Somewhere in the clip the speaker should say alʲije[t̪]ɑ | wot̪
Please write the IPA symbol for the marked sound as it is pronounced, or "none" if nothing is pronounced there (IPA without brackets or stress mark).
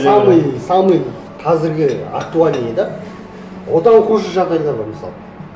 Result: d̪